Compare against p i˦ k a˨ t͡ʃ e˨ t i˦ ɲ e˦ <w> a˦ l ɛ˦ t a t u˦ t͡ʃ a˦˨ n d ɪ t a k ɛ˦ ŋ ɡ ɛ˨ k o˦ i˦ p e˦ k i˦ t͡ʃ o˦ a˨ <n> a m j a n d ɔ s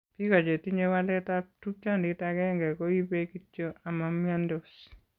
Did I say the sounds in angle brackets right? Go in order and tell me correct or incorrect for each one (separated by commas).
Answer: correct, incorrect